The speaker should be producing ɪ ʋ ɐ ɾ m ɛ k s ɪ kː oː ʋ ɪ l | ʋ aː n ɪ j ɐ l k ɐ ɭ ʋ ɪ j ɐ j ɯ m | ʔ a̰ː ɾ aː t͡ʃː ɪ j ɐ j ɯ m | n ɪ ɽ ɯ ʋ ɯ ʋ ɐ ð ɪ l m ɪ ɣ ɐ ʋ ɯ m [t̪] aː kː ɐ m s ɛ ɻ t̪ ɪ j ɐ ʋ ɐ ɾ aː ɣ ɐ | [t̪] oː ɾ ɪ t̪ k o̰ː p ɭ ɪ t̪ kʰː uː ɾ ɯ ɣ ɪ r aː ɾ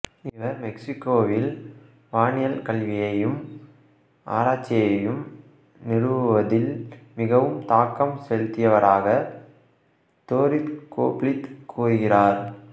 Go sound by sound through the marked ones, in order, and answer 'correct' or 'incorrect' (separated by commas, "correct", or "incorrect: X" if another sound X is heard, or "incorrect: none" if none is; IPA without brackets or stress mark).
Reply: correct, correct